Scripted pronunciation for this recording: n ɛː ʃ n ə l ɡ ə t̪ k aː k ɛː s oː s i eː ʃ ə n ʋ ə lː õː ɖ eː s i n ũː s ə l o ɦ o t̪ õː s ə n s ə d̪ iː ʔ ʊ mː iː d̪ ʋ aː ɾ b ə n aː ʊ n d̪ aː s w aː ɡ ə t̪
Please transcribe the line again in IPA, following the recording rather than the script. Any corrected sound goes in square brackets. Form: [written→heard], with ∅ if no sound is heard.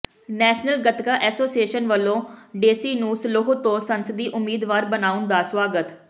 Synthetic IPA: n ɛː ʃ n ə l ɡ ə t̪ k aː [k→ʔ] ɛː s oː s i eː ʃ ə n ʋ ə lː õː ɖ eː s [i→iː] n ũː s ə l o ɦ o t̪ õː s ə n s ə d̪ iː ʔ ʊ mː iː d̪ ʋ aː ɾ b ə n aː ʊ n d̪ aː s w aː ɡ ə t̪